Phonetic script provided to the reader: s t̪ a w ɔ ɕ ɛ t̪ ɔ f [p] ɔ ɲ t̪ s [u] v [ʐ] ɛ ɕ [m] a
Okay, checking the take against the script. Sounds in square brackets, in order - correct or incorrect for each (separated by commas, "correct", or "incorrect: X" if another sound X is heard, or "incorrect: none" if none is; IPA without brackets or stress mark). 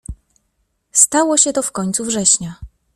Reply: incorrect: k, correct, correct, incorrect: ɲ